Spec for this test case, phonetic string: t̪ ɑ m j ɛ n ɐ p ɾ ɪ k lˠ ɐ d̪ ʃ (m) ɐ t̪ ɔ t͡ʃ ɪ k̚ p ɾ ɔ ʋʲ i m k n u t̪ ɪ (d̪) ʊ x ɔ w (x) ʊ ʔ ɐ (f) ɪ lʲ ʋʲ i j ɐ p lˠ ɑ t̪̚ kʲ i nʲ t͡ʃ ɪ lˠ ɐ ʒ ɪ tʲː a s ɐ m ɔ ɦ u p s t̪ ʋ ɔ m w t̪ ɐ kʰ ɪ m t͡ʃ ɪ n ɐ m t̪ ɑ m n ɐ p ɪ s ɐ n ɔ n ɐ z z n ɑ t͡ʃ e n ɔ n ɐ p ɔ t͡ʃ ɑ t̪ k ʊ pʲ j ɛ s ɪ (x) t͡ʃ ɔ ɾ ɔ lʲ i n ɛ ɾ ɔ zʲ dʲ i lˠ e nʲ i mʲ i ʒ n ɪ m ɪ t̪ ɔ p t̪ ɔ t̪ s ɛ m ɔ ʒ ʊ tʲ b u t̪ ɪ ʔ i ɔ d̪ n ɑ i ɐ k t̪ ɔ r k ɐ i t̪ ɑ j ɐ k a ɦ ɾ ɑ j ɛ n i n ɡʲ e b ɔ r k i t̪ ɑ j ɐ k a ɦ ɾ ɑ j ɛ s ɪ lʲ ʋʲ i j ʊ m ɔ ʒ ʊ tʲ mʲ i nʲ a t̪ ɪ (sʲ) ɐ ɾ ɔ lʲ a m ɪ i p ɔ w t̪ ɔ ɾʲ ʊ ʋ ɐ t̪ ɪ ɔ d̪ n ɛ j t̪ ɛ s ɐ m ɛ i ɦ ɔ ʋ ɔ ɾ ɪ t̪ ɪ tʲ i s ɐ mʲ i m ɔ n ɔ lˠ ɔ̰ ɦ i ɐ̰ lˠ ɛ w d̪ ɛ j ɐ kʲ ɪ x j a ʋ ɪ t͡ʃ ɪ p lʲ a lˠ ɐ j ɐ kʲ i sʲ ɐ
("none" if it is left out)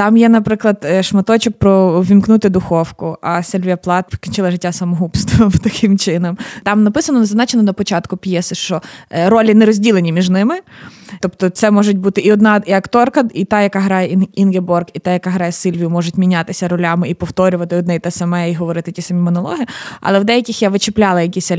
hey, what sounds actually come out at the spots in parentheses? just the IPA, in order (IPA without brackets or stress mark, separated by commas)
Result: m, d̪, k, s, ʃ, sʲ